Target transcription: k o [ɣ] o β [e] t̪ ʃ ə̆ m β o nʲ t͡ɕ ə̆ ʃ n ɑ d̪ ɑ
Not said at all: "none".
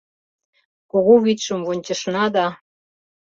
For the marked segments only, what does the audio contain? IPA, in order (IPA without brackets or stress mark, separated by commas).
ɣ, i